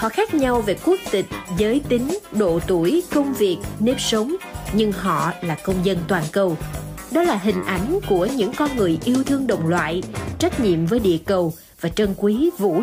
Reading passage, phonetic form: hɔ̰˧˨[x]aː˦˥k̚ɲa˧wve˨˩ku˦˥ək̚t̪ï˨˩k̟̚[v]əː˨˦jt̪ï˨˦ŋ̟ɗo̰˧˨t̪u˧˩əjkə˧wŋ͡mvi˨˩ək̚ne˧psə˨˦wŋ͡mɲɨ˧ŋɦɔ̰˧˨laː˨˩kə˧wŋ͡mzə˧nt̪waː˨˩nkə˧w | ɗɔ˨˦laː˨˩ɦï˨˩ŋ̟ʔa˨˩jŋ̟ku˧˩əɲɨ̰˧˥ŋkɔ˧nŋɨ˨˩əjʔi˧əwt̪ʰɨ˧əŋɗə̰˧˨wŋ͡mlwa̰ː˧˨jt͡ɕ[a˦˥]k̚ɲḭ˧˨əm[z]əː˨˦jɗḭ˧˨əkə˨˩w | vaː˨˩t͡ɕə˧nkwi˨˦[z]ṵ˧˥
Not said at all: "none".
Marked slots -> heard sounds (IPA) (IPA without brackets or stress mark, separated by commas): x, z, a˦˥, v, v